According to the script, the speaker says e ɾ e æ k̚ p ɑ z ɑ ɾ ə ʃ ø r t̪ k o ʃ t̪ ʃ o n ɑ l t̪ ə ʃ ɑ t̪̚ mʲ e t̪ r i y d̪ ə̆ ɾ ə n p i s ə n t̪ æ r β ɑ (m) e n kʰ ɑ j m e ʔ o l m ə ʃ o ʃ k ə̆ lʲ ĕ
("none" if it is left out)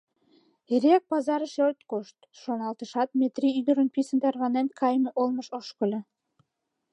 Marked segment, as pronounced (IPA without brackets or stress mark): n